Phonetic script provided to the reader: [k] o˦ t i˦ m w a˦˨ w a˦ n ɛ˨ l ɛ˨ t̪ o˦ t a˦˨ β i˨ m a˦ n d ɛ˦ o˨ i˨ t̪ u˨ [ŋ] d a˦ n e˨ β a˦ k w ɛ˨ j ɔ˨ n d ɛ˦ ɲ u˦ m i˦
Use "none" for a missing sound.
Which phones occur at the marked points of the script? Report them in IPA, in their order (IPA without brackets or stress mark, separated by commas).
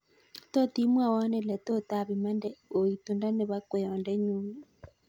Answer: t, n